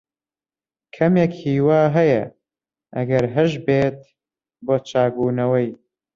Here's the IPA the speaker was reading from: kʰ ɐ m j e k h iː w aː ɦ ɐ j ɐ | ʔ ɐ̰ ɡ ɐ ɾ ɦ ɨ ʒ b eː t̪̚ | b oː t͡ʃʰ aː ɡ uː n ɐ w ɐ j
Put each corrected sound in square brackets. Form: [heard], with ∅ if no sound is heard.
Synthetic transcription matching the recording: kʰ ɐ m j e k h iː w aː ɦ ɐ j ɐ | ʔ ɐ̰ ɡ ɐ ɾ ɦ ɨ ʒ b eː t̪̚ | b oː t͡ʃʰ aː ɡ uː n ɐ w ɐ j